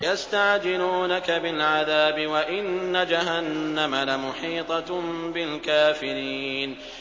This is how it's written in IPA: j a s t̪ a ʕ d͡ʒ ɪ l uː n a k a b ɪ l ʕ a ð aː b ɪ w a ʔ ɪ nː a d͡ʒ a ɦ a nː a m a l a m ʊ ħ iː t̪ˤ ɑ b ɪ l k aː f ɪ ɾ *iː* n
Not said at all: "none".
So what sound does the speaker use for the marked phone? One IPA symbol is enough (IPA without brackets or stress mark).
iː